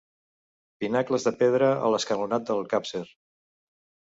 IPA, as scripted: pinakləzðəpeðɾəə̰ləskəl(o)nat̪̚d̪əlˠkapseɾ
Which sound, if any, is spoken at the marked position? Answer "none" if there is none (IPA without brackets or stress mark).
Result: u